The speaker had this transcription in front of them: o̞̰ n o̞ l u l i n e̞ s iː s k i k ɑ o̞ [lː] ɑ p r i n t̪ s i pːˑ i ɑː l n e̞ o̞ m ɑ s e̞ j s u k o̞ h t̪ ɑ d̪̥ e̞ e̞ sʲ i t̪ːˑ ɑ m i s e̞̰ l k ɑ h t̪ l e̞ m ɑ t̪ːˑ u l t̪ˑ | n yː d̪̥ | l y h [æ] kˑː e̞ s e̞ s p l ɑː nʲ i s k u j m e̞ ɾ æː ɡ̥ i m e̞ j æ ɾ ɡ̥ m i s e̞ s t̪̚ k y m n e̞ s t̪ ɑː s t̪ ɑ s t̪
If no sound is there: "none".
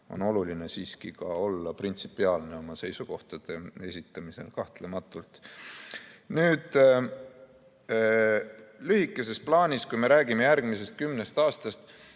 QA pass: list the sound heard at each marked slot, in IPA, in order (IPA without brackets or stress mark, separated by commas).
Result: lː, i